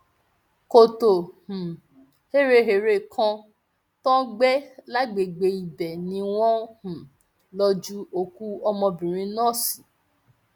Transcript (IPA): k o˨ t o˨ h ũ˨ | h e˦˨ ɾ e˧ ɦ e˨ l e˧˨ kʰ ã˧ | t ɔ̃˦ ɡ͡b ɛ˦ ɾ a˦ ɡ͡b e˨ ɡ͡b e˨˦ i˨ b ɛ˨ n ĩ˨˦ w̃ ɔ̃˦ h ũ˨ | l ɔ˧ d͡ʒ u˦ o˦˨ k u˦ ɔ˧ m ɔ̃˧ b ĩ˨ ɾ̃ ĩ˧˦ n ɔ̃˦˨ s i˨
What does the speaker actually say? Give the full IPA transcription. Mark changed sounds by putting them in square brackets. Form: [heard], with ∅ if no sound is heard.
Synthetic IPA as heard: k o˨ t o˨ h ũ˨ | h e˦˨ ɾ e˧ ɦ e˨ [ɾ] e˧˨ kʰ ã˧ | t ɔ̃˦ ɡ͡b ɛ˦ [l] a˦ ɡ͡b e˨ ɡ͡b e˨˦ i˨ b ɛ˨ n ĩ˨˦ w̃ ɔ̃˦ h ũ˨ | l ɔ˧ d͡ʒ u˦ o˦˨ k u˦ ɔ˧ m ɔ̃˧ b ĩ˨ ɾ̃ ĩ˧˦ n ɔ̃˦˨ s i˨